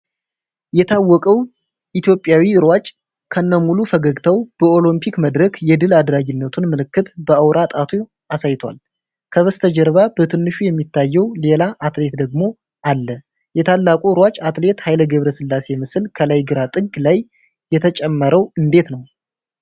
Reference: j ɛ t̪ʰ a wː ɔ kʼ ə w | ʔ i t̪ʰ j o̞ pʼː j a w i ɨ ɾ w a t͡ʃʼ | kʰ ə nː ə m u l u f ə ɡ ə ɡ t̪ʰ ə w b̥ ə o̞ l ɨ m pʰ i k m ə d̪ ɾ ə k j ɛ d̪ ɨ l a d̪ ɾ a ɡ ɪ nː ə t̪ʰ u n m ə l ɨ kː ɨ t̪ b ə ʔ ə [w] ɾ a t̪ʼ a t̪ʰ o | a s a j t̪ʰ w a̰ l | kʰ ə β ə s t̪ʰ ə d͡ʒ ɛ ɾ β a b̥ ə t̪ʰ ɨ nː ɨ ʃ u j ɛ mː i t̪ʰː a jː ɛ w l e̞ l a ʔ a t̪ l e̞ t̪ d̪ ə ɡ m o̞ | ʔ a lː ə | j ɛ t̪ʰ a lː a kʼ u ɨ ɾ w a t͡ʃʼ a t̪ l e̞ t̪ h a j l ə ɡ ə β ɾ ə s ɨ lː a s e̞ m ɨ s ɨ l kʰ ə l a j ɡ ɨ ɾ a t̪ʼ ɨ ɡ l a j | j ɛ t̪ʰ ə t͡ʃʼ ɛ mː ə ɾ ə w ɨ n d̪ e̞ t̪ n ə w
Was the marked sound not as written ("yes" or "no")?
no